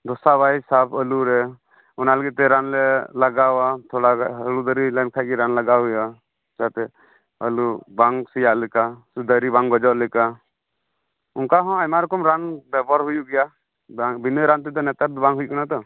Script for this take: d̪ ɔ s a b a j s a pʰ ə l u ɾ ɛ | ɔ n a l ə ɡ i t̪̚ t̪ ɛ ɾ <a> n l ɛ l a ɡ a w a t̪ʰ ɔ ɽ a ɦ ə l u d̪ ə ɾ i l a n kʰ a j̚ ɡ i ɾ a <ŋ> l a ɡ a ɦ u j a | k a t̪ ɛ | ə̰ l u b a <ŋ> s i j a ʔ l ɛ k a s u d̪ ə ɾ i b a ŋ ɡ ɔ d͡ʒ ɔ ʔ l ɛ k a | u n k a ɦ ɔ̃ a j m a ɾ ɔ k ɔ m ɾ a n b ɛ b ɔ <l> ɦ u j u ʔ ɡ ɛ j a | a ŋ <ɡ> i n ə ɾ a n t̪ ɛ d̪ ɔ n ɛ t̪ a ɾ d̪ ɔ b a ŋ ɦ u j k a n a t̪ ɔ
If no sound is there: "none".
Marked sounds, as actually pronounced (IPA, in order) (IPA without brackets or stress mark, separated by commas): a, n, ŋ, ɾ, b